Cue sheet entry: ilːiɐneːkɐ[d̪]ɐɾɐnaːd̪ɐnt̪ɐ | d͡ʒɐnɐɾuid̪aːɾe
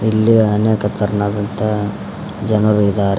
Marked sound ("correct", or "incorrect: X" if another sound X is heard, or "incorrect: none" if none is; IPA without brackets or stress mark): incorrect: t̪